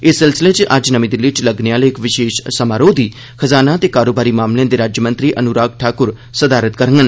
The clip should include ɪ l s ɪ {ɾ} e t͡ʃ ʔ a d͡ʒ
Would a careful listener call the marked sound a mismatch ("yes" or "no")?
yes